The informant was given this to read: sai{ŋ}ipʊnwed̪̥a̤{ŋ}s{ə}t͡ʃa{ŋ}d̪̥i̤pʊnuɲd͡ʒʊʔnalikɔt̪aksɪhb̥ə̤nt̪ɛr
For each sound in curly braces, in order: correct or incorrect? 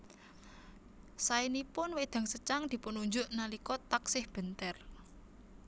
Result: incorrect: n, correct, correct, correct

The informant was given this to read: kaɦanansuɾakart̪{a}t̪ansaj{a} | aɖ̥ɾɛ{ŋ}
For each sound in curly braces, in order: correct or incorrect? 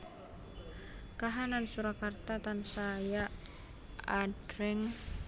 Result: correct, correct, correct

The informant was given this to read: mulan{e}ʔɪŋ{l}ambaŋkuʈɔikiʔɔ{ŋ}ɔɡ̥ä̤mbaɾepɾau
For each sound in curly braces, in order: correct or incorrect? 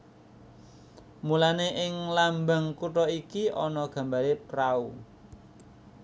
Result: correct, correct, incorrect: n

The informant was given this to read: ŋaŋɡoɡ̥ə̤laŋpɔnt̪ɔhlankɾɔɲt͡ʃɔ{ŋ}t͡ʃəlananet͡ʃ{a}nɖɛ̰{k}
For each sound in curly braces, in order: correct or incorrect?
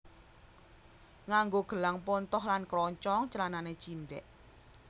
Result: correct, incorrect: i, incorrect: ʔ

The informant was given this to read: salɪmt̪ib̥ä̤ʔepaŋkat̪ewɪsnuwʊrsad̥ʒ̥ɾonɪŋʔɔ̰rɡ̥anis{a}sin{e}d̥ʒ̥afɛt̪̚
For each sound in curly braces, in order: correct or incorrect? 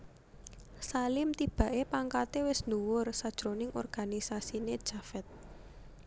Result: correct, correct

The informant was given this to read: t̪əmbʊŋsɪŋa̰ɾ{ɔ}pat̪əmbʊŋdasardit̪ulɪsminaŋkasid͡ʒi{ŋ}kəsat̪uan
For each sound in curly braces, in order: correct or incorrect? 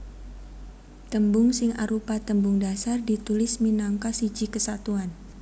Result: incorrect: u, incorrect: none

